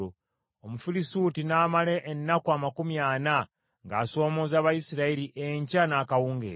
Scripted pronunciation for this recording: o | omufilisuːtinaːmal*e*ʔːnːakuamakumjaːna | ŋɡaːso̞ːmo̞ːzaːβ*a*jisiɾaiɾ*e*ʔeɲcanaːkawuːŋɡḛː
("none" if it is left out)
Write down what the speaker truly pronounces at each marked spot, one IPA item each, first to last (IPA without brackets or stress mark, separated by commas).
e, a, i